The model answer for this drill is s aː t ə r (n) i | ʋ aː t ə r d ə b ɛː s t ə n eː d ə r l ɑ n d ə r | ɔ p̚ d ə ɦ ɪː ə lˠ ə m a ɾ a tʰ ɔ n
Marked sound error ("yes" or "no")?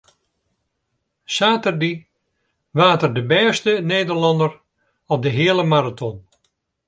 yes